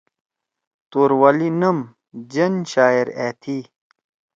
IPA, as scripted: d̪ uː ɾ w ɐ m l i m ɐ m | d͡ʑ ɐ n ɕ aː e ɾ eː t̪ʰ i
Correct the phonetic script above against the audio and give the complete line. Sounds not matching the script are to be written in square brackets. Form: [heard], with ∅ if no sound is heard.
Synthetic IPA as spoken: [t̪] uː ɾ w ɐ [∅] l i [n] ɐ m | d͡ʑ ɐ n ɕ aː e ɾ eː t̪ʰ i